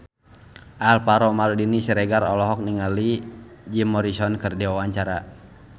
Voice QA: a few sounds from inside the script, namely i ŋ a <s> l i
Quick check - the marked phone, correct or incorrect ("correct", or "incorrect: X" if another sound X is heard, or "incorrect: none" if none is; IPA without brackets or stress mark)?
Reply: incorrect: none